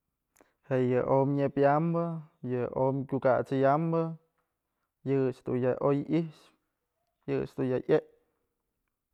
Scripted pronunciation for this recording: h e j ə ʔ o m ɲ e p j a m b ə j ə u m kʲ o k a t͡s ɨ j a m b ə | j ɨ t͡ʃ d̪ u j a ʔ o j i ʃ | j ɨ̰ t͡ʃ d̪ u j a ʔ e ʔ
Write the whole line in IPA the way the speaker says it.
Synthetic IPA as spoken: h e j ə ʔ o m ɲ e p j a m b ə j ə o m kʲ u k a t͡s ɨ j a m b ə | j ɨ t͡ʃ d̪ u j a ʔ o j i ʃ | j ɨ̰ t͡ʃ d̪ u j a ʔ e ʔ